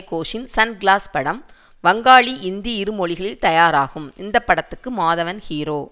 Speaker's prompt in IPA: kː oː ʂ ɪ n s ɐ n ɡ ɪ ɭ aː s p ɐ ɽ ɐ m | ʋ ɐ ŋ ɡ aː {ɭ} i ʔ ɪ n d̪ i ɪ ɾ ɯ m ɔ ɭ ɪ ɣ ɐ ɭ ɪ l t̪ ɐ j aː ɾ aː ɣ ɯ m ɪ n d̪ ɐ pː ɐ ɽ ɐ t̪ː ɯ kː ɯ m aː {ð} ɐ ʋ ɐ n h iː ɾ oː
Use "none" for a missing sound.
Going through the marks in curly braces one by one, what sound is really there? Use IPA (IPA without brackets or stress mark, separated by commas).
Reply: ɭ, ð